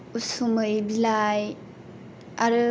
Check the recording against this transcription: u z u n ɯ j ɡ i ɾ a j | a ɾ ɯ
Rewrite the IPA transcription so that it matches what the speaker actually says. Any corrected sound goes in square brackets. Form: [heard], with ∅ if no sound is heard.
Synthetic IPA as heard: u [s] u [m] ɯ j [b] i [l] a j | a ɾ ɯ